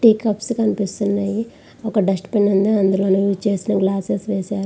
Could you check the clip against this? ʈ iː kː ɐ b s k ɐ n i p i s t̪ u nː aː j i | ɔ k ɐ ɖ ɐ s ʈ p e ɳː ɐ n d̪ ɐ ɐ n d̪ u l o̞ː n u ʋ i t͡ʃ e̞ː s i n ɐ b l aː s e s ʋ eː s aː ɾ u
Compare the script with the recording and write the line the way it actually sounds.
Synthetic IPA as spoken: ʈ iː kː ɐ p s k ɐ n i p i s t̪ u nː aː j i | ɔ k ɐ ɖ ɐ s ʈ p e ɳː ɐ n d̪ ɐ ɐ n d̪ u l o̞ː n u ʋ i t͡ʃ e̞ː s i n ɐ ɡ l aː s e s ʋ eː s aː ɾ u